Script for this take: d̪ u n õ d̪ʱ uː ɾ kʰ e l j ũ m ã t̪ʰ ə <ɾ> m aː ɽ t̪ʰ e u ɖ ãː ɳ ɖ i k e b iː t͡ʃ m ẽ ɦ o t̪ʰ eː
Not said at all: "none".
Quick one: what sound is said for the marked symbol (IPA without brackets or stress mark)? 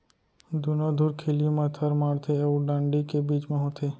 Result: ɾ